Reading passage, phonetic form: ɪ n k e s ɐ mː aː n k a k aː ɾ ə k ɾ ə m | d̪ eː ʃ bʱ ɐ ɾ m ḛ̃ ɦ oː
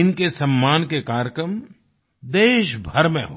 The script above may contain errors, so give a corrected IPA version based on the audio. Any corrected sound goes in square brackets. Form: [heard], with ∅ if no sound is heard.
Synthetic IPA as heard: ɪ n k e s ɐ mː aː n k [e] k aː ɾ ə k ɾ ə m | d̪ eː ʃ bʱ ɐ ɾ m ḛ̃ ɦ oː